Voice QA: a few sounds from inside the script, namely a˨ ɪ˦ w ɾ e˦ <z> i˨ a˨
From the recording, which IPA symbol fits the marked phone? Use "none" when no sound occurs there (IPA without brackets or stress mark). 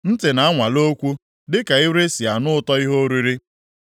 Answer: s